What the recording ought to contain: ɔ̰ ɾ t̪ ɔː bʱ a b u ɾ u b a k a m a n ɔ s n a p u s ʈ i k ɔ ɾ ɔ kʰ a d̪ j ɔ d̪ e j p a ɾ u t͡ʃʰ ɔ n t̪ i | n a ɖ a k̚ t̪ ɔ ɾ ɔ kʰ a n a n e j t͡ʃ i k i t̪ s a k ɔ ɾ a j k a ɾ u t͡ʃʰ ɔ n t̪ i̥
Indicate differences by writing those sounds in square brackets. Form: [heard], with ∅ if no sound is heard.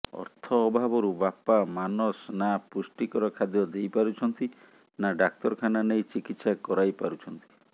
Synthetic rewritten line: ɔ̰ ɾ [t̪ʰ] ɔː bʱ a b [ɔ] ɾ u b a [p] a m a n ɔ s n a p u s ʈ i k ɔ ɾ ɔ kʰ a d̪ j ɔ d̪ e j p a ɾ u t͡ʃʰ ɔ n t̪ i | n a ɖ a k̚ t̪ ɔ ɾ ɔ kʰ a n a n e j t͡ʃ i k i t̪ s a k ɔ ɾ a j [p] a ɾ u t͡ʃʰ ɔ n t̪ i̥